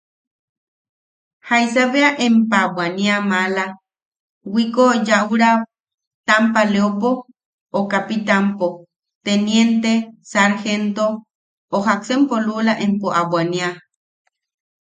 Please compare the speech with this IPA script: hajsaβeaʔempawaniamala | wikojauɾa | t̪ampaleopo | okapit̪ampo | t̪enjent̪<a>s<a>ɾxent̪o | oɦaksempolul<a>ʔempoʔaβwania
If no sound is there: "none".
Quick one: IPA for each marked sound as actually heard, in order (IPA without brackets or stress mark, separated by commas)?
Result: e, a, a